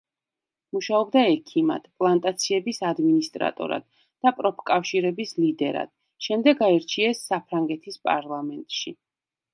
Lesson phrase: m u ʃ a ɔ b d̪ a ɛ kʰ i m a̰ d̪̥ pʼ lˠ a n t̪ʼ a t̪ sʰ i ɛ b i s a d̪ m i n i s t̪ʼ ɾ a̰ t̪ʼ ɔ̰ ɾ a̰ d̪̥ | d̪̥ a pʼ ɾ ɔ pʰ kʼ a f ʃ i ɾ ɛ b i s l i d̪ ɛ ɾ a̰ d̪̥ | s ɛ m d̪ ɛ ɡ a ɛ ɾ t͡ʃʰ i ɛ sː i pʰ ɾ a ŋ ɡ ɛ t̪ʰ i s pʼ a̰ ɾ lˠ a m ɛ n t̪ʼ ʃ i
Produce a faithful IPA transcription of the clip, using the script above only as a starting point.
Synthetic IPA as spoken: m u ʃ a ɔ b d̪ a ɛ kʰ i m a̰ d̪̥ pʼ lˠ a n t̪ʼ a t̪ sʰ i ɛ b i s a d̪ m i n i s t̪ʼ ɾ a̰ t̪ʼ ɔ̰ ɾ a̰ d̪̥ | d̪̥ a pʼ ɾ ɔ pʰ kʼ a f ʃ i ɾ ɛ b i s l i d̪ ɛ ɾ a̰ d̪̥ | ʃ ɛ m d̪ ɛ ɡ a ɛ ɾ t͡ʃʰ i ɛ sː a pʰ ɾ a ŋ ɡ ɛ t̪ʰ i s pʼ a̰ ɾ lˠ a m ɛ n t̪ʼ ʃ i